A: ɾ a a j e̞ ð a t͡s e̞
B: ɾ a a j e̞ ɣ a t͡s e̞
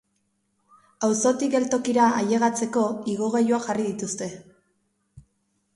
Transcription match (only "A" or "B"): B